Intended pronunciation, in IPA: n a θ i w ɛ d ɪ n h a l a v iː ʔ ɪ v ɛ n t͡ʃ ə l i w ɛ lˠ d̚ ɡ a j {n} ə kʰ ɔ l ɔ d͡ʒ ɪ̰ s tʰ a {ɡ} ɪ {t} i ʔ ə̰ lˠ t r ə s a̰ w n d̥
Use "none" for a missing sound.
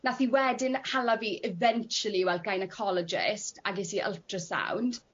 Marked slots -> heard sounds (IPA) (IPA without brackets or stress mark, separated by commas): n, ɡ, s